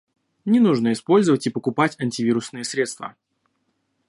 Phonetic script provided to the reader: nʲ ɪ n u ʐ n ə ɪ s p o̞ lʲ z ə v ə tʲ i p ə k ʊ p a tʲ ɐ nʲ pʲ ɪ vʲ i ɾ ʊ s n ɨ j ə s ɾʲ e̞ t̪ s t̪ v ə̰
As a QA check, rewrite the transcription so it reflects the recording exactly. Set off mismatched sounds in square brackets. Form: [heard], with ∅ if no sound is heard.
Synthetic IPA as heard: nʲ ɪ n u ʐ n ə ɪ s p o̞ lʲ z ə v ə tʲ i p ə k ʊ p a tʲ ɐ nʲ [tʲ] ɪ vʲ i ɾ ʊ s n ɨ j ə s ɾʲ e̞ t̪ s t̪ v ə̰